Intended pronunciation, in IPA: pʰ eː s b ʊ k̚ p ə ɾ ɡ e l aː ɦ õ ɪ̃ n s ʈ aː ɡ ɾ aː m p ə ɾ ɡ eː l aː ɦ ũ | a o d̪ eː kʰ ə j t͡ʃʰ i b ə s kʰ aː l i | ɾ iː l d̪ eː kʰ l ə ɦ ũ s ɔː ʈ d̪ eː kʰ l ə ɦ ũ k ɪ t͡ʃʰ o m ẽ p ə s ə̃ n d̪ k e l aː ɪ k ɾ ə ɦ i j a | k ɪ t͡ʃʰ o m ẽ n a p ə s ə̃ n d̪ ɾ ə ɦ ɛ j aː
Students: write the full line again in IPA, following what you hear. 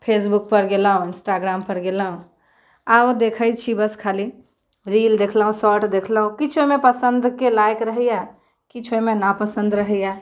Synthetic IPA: pʰ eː s b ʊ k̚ p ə ɾ ɡ e l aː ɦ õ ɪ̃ n s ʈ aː ɡ ɾ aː m p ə ɾ ɡ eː l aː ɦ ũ | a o d̪ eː kʰ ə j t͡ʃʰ i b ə s kʰ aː l i | ɾ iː l d̪ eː kʰ l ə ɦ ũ s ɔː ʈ d̪ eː kʰ l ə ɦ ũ k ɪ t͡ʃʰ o m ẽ p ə s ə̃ n d̪ k e l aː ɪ k ɾ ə ɦ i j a | k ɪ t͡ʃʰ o m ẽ n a p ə s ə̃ n d̪ ɾ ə ɦ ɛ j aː